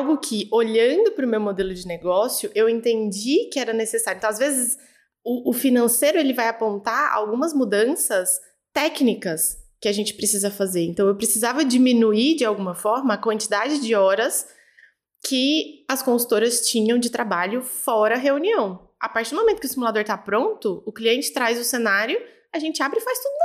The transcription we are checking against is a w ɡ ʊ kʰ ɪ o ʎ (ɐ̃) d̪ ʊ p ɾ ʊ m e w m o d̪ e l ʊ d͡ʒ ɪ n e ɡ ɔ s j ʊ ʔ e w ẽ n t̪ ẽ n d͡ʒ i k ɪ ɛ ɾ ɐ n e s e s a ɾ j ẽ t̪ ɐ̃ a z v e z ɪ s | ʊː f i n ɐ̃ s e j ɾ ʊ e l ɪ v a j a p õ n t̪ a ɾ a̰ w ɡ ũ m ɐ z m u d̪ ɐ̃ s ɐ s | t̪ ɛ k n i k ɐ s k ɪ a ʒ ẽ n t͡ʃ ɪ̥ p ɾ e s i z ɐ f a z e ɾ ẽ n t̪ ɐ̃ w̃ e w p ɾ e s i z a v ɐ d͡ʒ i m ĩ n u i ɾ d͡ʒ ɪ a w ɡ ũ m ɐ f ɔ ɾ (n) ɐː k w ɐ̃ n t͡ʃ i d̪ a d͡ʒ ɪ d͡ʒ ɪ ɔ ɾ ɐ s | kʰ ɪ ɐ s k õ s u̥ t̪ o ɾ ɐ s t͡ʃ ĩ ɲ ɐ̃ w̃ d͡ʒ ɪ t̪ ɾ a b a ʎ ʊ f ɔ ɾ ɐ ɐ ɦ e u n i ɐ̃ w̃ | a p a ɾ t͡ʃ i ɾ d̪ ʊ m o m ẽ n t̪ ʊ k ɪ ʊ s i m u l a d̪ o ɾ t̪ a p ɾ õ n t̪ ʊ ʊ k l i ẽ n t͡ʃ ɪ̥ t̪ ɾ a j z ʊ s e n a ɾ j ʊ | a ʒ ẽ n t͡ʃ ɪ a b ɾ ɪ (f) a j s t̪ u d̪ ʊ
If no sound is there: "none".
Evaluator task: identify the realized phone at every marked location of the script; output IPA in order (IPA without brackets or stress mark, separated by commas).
ɐ̃, m, f